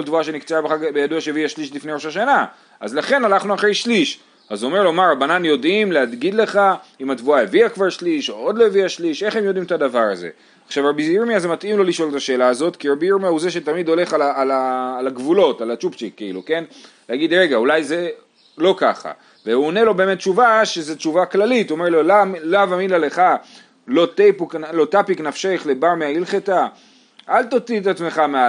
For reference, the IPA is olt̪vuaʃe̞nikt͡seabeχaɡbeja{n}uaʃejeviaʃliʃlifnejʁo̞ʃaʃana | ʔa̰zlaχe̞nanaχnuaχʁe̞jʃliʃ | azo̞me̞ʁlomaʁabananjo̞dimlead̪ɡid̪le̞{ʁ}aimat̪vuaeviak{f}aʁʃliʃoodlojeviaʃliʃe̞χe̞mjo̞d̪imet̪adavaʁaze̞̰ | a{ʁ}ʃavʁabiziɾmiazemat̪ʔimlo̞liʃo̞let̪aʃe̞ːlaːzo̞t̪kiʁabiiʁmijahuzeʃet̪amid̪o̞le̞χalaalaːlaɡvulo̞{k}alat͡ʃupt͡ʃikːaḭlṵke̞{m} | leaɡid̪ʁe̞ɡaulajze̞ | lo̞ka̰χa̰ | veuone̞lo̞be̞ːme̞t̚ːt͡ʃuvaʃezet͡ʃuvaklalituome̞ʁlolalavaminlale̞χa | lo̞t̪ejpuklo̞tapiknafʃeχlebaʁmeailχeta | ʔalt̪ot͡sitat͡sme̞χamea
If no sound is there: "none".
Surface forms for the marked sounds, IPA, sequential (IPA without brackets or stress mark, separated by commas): d, χ, v, χ, t, n